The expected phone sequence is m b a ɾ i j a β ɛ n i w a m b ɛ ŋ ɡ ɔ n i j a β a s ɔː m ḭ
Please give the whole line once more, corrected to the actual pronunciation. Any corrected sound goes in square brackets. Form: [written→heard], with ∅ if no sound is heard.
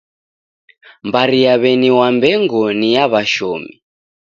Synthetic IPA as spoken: m b a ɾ i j a β ɛ n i w a m b ɛ ŋ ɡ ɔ n i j a β a [s→ʃ] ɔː m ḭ